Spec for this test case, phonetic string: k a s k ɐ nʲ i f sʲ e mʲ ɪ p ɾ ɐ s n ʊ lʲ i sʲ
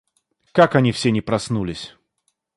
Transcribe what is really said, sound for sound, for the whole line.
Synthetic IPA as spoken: k a k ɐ nʲ i f sʲ e nʲ ɪ p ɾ ɐ s n u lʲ ɪ sʲ